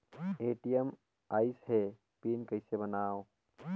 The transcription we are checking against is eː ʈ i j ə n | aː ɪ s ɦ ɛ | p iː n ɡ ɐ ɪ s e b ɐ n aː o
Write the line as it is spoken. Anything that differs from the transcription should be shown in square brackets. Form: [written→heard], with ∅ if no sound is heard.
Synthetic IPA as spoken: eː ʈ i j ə [n→m] | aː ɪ s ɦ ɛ | p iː n [ɡ→k] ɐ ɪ s e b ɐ n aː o